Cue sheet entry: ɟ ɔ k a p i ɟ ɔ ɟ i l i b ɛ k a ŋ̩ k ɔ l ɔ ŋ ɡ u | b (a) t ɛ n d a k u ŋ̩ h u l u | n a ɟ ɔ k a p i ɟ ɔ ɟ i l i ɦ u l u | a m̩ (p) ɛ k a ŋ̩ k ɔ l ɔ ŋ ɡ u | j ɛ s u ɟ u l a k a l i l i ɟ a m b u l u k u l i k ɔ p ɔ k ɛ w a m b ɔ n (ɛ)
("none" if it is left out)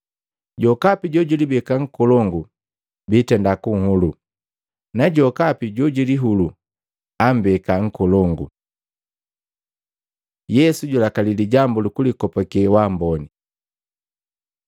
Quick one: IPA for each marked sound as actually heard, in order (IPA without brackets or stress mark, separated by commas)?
i, b, i